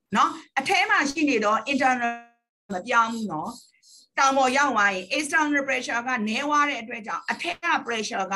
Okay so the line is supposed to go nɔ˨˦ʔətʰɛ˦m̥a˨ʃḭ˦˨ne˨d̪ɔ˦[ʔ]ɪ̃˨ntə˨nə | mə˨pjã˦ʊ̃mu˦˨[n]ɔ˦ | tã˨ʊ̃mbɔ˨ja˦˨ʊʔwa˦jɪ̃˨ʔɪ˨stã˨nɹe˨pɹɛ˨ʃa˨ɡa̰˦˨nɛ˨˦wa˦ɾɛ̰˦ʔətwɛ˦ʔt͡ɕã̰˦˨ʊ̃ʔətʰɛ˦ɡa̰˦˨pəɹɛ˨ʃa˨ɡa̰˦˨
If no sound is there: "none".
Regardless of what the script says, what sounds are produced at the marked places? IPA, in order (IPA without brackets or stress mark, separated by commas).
ʔ, n